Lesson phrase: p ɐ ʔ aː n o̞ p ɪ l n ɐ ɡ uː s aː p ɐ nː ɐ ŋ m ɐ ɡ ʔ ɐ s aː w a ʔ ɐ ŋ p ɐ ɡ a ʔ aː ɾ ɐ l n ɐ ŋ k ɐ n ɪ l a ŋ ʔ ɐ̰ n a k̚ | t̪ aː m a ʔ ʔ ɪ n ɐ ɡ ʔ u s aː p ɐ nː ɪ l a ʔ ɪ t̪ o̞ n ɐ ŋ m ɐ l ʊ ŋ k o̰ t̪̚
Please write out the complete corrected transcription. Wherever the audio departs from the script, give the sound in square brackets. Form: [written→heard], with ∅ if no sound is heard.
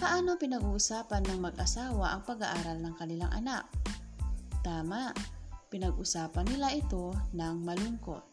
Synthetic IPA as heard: p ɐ ʔ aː n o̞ p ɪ [l→∅] n ɐ ɡ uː s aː p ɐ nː ɐ ŋ m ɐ ɡ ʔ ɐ s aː w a ʔ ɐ ŋ p ɐ ɡ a ʔ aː ɾ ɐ l n ɐ ŋ k ɐ n ɪ l a ŋ ʔ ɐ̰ n a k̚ | t̪ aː m a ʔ [ʔ→p] ɪ n ɐ ɡ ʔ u s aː p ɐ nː ɪ l a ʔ ɪ t̪ o̞ n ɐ ŋ m ɐ l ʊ ŋ k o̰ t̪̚